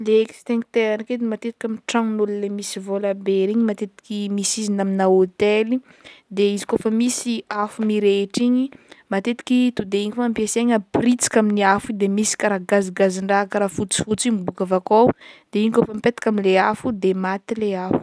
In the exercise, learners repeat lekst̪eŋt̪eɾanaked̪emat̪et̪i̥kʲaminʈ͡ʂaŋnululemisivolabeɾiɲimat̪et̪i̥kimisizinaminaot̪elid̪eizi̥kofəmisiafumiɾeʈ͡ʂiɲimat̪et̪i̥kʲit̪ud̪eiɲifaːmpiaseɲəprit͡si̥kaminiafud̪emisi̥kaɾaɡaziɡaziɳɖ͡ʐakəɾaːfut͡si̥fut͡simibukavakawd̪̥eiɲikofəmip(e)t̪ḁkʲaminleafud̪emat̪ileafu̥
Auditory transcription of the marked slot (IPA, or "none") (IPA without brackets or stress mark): e